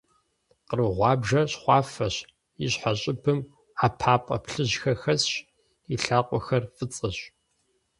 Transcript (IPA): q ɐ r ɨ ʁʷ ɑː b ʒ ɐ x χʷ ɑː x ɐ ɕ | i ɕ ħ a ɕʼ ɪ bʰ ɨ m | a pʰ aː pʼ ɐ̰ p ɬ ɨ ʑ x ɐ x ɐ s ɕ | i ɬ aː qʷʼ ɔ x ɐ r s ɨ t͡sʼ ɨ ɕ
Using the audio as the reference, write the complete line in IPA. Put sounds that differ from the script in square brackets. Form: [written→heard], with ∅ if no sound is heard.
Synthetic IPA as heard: q [ɐ→ə] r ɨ ʁʷ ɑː b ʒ ɐ [x→ɕ] χʷ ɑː [x→f] ɐ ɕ | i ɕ ħ a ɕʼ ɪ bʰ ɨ m | a pʰ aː pʼ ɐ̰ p ɬ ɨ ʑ x ɐ x ɐ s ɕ | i ɬ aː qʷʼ ɔ x ɐ r [s→f] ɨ t͡sʼ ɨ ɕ